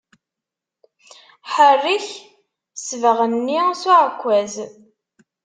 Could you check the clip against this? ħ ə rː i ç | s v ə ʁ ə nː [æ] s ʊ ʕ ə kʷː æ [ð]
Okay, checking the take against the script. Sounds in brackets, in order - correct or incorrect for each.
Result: incorrect: i, incorrect: z

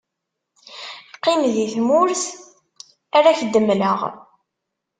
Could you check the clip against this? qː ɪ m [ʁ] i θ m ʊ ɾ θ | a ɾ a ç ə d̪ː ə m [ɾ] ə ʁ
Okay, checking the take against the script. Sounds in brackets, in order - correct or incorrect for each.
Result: incorrect: ð, incorrect: l

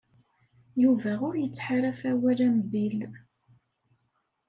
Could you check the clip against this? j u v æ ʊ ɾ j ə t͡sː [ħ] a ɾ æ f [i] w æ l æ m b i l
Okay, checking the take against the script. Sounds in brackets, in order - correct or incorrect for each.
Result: correct, incorrect: æ

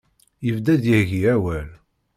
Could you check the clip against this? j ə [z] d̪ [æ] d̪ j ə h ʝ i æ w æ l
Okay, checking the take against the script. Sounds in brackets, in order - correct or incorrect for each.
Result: incorrect: v, correct

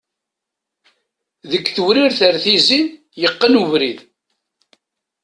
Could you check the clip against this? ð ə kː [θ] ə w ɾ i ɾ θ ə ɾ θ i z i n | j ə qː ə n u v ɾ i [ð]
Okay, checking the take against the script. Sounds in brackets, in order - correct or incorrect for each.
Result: correct, correct

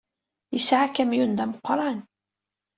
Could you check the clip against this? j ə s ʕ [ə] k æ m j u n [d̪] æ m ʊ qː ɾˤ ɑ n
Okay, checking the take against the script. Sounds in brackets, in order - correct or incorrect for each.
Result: incorrect: a, correct

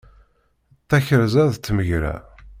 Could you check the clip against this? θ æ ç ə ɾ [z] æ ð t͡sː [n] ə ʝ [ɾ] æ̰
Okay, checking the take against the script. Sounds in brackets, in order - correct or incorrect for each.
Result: correct, incorrect: m, correct

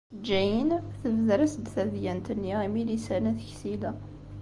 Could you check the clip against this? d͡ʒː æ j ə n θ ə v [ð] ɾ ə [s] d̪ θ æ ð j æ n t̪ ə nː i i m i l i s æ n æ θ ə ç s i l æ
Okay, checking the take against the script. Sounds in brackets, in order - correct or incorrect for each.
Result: correct, correct

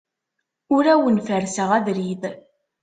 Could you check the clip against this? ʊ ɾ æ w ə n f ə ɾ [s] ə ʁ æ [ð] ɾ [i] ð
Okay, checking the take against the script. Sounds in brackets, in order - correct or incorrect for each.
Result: correct, correct, correct

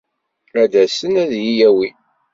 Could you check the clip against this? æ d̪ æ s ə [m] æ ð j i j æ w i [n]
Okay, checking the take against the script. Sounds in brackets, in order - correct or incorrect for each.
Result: incorrect: n, incorrect: none

